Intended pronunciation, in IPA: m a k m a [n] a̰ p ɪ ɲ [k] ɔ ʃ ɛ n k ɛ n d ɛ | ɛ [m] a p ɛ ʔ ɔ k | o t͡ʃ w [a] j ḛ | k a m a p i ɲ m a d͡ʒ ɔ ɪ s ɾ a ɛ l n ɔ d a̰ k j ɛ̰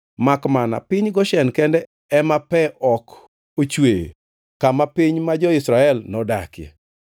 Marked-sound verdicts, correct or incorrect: correct, incorrect, correct, incorrect

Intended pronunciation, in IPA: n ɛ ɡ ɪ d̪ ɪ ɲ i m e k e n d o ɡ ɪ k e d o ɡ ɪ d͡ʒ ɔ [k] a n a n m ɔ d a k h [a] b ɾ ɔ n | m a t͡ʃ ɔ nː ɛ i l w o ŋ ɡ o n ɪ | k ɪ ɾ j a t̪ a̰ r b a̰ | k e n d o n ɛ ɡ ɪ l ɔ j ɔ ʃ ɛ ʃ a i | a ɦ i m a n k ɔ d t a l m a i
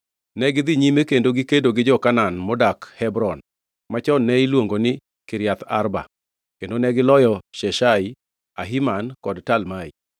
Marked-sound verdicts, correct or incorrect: correct, incorrect

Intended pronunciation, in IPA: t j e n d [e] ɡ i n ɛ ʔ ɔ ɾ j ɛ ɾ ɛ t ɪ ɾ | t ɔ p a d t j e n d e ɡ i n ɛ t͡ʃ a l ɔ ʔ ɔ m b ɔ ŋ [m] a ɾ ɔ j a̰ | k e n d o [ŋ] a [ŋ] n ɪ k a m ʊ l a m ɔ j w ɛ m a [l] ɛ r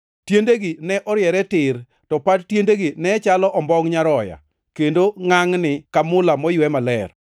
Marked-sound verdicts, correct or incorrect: correct, incorrect, correct, correct, correct

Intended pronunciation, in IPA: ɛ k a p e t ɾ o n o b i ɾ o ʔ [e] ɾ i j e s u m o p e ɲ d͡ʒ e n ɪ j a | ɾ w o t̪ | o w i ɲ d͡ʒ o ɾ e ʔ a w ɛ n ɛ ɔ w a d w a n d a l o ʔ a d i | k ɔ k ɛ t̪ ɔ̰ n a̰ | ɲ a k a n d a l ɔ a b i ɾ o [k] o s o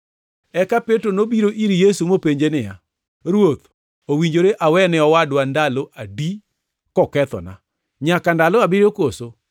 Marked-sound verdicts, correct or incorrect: incorrect, correct

